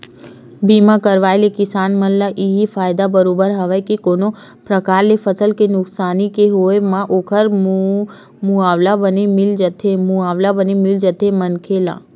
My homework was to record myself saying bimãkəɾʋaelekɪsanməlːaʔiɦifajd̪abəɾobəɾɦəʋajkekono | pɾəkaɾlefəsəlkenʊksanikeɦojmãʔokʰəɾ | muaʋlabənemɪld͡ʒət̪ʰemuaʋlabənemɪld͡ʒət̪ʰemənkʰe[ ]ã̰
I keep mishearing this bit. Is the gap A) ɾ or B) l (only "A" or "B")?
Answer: B